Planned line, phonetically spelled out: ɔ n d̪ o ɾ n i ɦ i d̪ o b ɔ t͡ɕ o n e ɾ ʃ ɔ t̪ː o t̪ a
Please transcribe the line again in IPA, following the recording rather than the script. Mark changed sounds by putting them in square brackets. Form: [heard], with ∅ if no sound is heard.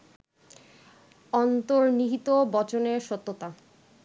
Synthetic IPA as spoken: ɔ n [t̪] o ɾ n i ɦ i [t̪] o b ɔ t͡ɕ o n e ɾ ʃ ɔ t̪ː o t̪ a